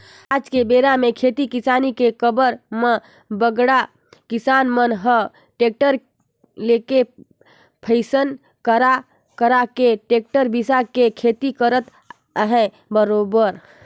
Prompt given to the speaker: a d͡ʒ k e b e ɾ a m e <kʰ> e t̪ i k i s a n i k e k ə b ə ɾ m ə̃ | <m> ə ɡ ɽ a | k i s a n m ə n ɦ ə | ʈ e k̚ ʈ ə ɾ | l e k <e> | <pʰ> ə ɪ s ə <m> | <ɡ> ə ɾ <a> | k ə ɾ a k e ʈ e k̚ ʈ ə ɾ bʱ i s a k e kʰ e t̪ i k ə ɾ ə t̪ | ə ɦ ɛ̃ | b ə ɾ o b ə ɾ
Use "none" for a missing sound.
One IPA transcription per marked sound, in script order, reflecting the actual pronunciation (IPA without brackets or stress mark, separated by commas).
kʰ, b, e, pʰ, n, k, a